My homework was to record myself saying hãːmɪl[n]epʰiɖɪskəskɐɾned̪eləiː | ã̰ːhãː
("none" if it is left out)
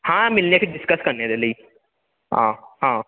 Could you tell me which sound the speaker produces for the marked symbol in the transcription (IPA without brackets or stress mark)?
n